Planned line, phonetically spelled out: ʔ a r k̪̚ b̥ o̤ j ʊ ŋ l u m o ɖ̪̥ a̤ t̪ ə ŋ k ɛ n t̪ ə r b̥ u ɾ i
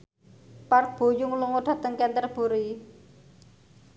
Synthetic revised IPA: p a r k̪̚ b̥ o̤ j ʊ ŋ l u ŋ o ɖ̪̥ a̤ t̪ ə ŋ k ɛ n t̪ ə r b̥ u ɾ i